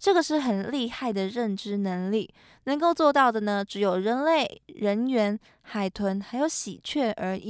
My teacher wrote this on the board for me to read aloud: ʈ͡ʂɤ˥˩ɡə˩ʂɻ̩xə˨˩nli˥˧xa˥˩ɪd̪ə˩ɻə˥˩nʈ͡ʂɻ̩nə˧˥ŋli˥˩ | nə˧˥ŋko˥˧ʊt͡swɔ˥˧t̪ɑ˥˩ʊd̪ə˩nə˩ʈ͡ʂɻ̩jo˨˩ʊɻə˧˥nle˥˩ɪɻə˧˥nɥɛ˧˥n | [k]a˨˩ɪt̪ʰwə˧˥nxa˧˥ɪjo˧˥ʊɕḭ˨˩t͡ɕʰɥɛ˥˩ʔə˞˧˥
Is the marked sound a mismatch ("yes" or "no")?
yes